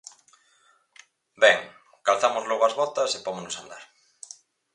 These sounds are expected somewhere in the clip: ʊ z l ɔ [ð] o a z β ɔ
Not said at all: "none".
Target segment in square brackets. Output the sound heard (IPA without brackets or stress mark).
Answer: ɣ